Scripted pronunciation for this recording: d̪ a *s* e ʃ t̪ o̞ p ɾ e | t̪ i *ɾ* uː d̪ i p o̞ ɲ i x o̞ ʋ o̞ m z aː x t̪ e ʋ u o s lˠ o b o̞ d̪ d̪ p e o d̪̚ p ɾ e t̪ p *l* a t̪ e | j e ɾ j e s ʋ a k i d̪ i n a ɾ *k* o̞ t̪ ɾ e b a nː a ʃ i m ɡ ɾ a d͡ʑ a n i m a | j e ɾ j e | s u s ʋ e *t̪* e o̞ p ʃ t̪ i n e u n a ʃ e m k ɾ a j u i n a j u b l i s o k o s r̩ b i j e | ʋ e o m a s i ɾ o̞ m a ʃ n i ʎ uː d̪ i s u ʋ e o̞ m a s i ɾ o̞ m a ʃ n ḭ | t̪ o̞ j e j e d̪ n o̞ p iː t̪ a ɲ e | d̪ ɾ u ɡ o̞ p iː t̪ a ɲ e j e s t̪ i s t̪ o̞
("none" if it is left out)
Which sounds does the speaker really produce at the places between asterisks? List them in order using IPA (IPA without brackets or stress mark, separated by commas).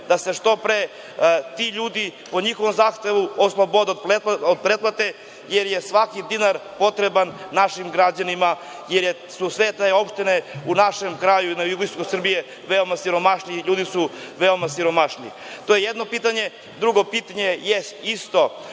s, ʎ, l, p, t̪